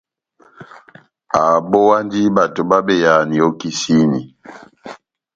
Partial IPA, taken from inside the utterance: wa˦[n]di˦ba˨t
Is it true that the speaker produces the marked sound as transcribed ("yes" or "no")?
yes